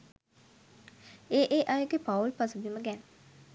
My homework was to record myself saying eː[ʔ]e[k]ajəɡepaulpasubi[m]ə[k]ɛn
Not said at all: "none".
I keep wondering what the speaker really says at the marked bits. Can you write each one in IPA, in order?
ʔ, ʔ, m, ɡ

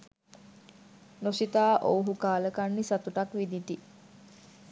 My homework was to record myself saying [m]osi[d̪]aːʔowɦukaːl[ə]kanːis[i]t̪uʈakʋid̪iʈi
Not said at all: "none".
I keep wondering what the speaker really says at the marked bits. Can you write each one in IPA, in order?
n, t̪, ə, a

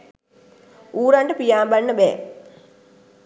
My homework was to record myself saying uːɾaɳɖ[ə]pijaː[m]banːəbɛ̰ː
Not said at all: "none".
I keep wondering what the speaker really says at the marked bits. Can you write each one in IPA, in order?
ə, m

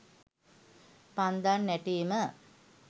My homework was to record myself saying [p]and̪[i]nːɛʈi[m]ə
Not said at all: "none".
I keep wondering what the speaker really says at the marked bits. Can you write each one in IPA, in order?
p, a, m

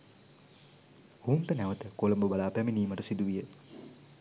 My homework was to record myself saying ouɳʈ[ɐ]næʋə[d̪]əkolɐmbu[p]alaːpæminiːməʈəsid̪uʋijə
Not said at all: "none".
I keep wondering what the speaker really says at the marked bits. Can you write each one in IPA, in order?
ə, t̪, b

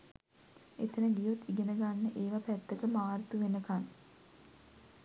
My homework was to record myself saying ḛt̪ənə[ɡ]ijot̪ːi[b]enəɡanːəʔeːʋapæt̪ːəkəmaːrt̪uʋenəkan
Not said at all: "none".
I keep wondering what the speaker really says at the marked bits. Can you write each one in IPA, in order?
ɡ, ɡ

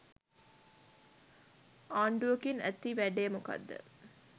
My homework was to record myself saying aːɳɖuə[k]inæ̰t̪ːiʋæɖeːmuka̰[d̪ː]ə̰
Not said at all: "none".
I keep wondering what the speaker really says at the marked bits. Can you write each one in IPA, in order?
k, d̪ː

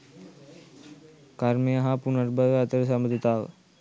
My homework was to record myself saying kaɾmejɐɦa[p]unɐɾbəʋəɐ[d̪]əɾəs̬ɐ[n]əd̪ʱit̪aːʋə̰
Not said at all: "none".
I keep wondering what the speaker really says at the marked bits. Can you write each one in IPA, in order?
p, t̪, m

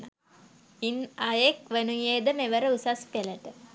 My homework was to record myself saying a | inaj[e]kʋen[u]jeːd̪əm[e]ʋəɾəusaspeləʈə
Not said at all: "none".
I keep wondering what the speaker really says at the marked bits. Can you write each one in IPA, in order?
e, u, e

